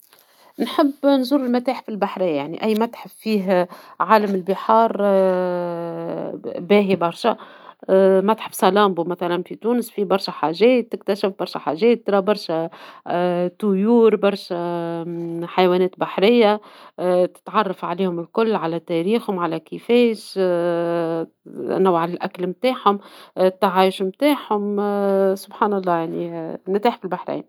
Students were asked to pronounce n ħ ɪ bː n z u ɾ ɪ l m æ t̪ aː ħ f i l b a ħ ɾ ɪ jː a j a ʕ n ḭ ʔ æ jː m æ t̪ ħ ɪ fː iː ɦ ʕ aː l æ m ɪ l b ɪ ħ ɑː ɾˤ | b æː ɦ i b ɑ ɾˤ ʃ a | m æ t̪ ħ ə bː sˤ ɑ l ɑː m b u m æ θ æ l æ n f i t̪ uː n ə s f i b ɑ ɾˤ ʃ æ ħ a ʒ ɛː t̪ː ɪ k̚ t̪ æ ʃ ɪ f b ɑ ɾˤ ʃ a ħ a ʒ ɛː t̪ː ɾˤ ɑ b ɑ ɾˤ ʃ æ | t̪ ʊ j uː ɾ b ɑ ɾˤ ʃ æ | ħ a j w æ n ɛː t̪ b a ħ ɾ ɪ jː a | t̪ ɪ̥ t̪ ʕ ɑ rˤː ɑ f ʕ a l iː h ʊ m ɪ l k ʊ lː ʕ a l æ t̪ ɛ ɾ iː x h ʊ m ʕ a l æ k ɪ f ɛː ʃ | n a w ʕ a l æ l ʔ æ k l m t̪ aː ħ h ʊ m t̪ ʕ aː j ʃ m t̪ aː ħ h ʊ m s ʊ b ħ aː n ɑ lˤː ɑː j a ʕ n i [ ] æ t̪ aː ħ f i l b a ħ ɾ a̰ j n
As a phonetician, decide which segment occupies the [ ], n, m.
n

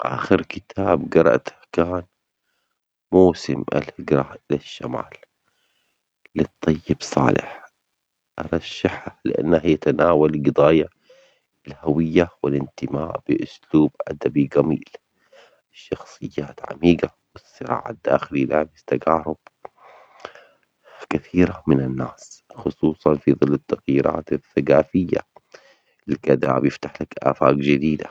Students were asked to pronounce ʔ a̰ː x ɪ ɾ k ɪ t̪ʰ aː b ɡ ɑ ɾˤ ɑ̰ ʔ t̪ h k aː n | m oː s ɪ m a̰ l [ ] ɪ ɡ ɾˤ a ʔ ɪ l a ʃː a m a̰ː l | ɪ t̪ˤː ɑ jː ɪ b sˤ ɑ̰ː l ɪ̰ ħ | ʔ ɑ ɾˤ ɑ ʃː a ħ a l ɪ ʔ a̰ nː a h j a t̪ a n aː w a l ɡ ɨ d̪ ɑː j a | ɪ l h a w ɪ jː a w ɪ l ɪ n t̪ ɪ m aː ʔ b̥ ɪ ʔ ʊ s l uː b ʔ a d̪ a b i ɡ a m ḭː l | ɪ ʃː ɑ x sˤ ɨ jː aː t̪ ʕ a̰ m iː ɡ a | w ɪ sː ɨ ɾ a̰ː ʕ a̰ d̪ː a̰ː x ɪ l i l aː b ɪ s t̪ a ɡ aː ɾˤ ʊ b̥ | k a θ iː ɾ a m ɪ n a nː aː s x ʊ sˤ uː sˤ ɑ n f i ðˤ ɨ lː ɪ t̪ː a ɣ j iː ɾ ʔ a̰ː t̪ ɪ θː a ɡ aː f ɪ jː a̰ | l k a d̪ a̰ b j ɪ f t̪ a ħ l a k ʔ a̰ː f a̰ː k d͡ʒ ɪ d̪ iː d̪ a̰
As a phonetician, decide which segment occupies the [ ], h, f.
h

